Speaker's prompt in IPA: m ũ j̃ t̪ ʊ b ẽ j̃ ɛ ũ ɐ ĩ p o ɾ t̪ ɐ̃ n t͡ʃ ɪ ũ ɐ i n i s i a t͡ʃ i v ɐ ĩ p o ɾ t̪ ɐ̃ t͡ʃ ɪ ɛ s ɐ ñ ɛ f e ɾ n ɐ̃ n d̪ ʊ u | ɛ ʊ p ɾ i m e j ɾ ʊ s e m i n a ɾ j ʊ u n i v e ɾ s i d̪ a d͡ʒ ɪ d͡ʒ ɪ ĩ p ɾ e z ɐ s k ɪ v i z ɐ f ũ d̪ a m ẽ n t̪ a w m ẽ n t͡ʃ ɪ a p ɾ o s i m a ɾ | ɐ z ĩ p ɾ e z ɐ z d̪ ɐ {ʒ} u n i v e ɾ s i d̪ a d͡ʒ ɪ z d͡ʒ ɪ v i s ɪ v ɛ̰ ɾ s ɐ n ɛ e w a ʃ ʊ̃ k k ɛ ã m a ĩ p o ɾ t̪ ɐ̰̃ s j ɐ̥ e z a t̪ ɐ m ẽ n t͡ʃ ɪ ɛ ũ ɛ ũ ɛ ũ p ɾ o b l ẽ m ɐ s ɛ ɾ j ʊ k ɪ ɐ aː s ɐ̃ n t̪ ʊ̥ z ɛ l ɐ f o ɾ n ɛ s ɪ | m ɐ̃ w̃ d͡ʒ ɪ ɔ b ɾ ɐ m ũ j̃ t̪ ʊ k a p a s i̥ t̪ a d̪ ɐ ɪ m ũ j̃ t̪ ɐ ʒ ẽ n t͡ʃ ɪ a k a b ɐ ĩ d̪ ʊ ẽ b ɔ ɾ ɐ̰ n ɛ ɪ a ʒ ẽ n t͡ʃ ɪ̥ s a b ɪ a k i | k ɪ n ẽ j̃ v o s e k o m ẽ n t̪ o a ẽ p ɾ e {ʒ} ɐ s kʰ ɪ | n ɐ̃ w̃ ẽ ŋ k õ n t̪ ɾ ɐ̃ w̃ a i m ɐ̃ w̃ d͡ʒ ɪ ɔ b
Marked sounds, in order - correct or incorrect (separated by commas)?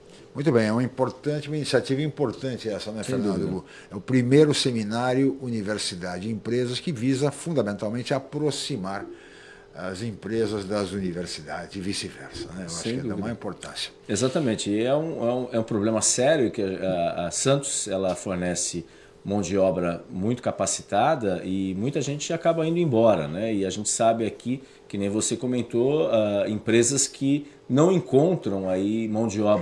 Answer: incorrect, incorrect